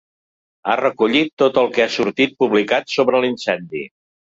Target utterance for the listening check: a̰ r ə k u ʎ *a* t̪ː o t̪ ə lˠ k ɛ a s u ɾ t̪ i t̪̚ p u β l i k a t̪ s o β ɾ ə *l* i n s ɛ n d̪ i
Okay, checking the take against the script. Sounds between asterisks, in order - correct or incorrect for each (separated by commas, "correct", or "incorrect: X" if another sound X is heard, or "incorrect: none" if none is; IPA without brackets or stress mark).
incorrect: i, correct